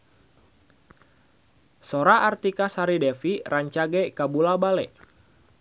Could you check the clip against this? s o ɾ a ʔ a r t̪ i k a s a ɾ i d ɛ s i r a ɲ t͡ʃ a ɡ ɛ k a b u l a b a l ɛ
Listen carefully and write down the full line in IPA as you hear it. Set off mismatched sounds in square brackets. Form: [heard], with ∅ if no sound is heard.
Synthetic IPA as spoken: s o ɾ a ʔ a r t̪ i k a s a ɾ i d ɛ [f] i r a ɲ t͡ʃ a ɡ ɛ k a b u l a b a l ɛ